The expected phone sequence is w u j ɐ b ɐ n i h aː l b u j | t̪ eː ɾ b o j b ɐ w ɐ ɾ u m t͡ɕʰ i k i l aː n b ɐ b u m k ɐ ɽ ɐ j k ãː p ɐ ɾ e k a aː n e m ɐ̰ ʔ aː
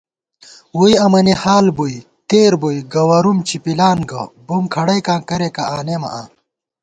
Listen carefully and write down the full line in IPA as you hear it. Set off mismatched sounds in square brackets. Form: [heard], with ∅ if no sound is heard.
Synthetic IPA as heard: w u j ɐ [m] ɐ n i h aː l b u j | t̪ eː ɾ b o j [ɡ] ɐ w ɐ ɾ u m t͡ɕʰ i [p] i l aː n [ɡ] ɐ b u m [kʰ] ɐ ɽ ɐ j k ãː [k] ɐ ɾ e k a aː n e m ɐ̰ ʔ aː